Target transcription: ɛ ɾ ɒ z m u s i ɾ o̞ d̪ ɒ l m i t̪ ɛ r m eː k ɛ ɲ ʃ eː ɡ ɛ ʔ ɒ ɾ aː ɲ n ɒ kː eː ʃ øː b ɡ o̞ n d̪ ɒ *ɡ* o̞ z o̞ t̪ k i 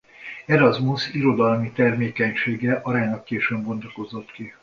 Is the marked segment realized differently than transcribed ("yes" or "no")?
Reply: yes